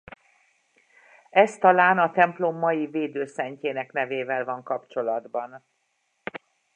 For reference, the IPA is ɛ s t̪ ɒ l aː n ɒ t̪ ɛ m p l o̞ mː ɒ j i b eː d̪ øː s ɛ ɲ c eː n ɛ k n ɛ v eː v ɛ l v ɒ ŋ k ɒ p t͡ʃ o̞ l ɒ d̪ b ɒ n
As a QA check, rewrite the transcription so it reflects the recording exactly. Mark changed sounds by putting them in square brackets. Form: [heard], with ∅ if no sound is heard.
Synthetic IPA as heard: ɛ s t̪ ɒ l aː n ɒ t̪ ɛ m p l o̞ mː ɒ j i [v] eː d̪ øː s ɛ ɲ c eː n ɛ k n ɛ v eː v ɛ l v ɒ ŋ k ɒ p t͡ʃ o̞ l ɒ d̪ b ɒ n